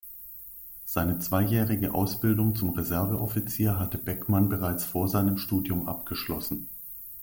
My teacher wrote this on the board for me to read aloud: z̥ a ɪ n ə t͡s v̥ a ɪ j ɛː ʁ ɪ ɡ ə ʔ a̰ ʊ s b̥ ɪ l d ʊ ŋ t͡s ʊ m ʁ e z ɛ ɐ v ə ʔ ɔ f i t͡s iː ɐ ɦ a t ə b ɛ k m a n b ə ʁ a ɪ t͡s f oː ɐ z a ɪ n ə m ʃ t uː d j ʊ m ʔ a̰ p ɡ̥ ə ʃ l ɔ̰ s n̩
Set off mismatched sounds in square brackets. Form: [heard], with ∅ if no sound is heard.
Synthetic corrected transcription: z̥ a ɪ n ə t͡s v̥ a ɪ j ɛː ʁ ɪ ɡ ə ʔ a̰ ʊ s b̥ ɪ l d ʊ ŋ t͡s ʊ m ʁ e z ɛ ɐ v ə ʔ ɔ f i t͡s iː ɐ ɦ a t ə b ɛ k m a n b ə ʁ a ɪ t͡s f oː ɐ z a ɪ n ə m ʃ t uː d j ʊ m ʔ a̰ p ɡ̥ ə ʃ l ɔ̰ s n̩

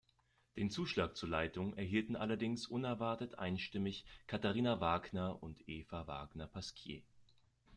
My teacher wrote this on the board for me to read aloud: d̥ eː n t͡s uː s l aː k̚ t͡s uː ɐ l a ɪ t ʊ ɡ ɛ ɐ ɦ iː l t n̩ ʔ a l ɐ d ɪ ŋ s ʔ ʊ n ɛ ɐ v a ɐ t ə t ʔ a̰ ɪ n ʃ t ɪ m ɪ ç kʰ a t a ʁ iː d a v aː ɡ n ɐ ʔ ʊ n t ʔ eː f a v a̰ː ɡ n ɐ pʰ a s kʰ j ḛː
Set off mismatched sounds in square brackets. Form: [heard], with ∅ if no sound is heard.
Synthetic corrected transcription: d̥ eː n t͡s uː [ʃ] l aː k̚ t͡s uː ɐ l a ɪ t ʊ [ŋ] ɛ ɐ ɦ iː l t n̩ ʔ a l ɐ d ɪ ŋ s ʔ ʊ n ɛ ɐ v a ɐ t ə t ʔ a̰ ɪ n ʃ t ɪ m ɪ ç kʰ a t a ʁ iː [n] a v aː ɡ n ɐ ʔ ʊ n t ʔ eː f a v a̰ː ɡ n ɐ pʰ a s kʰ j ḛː

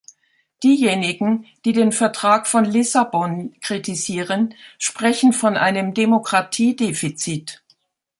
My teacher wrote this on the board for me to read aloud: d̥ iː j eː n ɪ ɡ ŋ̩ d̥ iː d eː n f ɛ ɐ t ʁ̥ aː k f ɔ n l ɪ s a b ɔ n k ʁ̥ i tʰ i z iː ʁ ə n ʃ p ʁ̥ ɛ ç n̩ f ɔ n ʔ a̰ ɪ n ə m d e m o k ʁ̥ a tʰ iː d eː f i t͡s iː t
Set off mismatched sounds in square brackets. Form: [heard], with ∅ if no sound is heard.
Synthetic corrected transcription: d̥ iː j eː n ɪ ɡ ŋ̩ d̥ iː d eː n f ɛ ɐ t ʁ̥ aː k f ɔ n l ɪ s a b ɔ n k ʁ̥ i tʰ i z iː ʁ ə n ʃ p ʁ̥ ɛ ç n̩ f ɔ n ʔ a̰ ɪ n ə m d e m o k ʁ̥ a tʰ iː d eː f i t͡s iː t

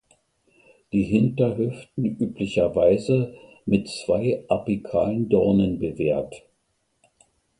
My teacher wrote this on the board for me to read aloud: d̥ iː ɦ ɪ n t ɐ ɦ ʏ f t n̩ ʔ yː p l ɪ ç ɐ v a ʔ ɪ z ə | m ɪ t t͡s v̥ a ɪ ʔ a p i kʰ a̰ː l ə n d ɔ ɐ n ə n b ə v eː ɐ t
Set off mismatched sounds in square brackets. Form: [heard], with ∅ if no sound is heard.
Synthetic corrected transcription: d̥ iː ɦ ɪ n t ɐ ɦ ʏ f t n̩ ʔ yː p l ɪ ç ɐ v a [∅] ɪ z ə | m ɪ t t͡s v̥ a ɪ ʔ a p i kʰ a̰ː l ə n d ɔ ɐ n ə n b ə v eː ɐ t

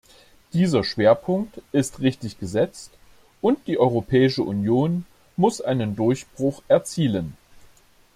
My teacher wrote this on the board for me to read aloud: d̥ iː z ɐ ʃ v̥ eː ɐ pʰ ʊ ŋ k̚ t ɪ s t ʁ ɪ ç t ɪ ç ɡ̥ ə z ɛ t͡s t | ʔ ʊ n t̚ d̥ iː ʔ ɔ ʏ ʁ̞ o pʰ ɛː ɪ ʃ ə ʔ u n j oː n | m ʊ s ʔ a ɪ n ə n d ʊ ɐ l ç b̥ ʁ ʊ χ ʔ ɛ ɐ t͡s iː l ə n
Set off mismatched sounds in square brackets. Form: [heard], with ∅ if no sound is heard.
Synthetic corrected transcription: d̥ iː z ɐ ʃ v̥ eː ɐ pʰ ʊ ŋ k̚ t ɪ s t ʁ ɪ ç t ɪ ç ɡ̥ ə z ɛ t͡s t | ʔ ʊ n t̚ d̥ iː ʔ ɔ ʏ ʁ̞ o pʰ ɛː ɪ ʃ ə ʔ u n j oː n | m ʊ s ʔ a ɪ n ə n d ʊ ɐ [∅] ç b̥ ʁ ʊ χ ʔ ɛ ɐ t͡s iː l ə n

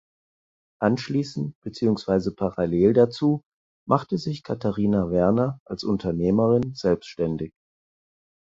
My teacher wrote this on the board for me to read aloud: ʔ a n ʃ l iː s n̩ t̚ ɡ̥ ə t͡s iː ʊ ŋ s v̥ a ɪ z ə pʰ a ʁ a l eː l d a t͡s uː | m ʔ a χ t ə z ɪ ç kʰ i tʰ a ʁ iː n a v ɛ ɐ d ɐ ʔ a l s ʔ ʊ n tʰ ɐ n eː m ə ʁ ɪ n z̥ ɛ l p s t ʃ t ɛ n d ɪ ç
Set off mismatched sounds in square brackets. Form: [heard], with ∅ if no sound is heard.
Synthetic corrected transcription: ʔ a n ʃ l iː s n̩ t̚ [b̥] ə t͡s iː ʊ ŋ s v̥ a ɪ z ə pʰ a ʁ a l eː l d a t͡s uː | m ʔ a χ t ə z ɪ ç kʰ [a] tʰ a ʁ iː n a v ɛ ɐ [n] ɐ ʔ a l s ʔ ʊ n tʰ ɐ n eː m ə ʁ ɪ n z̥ ɛ l p s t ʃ t ɛ n d ɪ ç

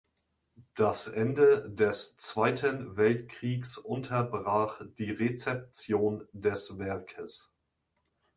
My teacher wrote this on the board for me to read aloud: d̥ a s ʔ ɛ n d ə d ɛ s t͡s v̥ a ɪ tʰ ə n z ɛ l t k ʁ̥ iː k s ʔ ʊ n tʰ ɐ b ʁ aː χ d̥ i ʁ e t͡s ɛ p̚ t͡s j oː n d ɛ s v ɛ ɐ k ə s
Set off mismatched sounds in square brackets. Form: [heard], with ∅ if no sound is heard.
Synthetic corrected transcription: d̥ a s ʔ ɛ n d ə d ɛ s t͡s v̥ a ɪ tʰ ə n [v] ɛ l t k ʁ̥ iː k s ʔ ʊ n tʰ ɐ b ʁ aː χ d̥ [iː] ʁ e t͡s ɛ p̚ t͡s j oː n d ɛ s v ɛ ɐ [kʰ] ə s

